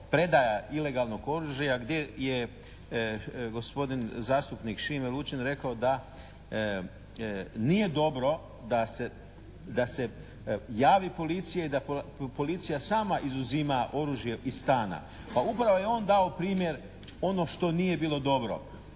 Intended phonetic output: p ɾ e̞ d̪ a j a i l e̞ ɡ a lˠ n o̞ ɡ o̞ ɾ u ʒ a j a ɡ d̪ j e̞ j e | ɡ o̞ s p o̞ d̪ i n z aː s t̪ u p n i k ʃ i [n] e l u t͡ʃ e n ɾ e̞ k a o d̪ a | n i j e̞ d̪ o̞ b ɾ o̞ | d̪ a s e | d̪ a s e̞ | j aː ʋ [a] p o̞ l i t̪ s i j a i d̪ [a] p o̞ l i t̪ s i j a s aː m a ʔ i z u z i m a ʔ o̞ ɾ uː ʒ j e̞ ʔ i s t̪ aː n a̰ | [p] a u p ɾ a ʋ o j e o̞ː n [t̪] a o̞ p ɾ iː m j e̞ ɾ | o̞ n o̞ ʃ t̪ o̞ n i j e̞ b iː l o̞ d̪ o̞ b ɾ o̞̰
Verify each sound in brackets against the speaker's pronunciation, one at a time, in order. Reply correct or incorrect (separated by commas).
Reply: incorrect, incorrect, correct, correct, incorrect